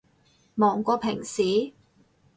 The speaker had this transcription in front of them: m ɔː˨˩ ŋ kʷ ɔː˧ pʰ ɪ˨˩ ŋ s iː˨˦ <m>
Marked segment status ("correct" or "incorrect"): incorrect